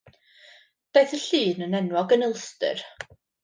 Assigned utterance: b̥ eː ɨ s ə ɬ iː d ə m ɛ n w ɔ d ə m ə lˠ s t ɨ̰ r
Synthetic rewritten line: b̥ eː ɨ θ ə ɬ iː n ə n ɛ n w ɔ ɡ ə n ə lˠ s t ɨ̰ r